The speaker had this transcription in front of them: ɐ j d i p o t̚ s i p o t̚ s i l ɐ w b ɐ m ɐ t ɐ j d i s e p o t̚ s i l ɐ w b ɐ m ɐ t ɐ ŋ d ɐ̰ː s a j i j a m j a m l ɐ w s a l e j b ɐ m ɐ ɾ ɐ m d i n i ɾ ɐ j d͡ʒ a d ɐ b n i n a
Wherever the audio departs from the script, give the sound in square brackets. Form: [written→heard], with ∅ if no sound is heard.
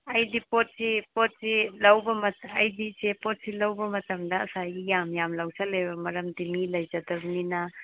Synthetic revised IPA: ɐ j d i p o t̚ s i p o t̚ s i l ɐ w b ɐ m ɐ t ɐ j d i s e p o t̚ s i l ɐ w b ɐ m ɐ t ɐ [ŋ→m] d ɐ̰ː s a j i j a m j a m l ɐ w s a l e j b ɐ m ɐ ɾ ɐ m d i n i [ɾ→l] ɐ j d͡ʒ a d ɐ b n i n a